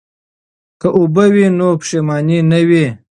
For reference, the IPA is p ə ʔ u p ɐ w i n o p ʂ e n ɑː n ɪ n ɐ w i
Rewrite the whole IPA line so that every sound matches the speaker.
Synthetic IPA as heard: k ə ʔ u b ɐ w i n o p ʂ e m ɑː n i n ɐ w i